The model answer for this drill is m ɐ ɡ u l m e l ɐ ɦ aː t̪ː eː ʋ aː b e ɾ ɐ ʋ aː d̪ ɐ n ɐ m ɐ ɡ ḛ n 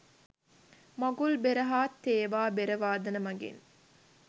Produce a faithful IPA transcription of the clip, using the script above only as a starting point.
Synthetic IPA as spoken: m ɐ ɡ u l b e ɾ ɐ ɦ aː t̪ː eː ʋ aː b e ɾ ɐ ʋ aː d̪ ɐ n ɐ m ɐ ɡ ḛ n